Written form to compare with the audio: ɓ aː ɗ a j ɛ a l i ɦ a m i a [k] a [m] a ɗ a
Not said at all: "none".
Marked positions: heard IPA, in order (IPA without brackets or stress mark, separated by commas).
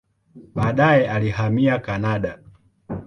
k, n